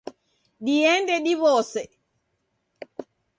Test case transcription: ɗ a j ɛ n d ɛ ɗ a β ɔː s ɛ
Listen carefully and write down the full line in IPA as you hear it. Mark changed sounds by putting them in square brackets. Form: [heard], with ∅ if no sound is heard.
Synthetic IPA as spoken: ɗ [i] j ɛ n d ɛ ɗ [i] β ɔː s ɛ